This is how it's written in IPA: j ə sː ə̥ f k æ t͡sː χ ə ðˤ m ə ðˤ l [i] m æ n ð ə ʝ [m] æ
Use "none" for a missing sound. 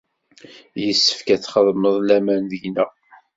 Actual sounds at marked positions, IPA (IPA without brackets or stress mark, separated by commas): æ, n